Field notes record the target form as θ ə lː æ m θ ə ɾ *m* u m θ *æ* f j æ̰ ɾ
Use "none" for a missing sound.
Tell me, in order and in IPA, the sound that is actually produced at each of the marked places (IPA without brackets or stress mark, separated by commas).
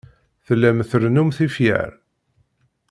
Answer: n, i